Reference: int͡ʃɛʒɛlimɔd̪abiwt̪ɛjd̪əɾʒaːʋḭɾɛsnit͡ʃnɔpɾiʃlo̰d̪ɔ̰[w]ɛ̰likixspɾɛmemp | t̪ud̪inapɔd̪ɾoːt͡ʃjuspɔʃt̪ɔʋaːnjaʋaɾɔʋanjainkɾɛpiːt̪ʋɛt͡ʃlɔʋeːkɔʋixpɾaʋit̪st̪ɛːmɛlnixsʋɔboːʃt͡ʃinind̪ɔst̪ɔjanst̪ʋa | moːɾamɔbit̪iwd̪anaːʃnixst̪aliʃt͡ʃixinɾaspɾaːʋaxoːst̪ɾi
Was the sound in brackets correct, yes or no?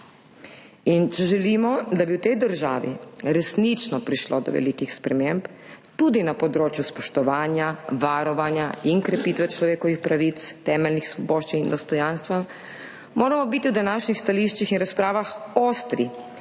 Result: no